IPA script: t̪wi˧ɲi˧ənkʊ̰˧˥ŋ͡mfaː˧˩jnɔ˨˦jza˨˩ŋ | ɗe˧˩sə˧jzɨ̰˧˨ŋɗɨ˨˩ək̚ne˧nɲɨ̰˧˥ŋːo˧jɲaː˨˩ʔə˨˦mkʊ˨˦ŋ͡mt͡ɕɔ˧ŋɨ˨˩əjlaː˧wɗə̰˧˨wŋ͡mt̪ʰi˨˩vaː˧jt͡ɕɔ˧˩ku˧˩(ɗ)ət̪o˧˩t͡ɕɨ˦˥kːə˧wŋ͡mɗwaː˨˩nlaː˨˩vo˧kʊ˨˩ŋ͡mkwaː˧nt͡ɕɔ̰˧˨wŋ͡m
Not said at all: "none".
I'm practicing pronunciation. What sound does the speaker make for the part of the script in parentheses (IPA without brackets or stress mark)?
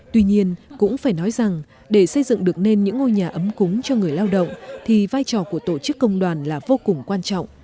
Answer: none